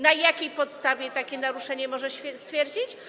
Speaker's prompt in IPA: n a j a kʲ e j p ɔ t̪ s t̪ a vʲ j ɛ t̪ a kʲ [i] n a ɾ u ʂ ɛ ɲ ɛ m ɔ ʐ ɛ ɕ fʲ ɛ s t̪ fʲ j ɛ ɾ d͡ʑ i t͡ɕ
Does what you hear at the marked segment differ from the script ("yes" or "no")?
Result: yes